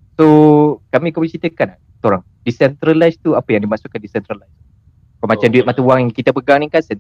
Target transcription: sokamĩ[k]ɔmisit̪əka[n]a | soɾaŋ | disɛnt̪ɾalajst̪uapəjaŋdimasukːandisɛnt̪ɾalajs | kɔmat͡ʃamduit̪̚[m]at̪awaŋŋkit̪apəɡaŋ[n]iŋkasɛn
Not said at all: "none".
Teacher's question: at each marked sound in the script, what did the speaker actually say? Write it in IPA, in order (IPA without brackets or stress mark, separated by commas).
k, n, m, n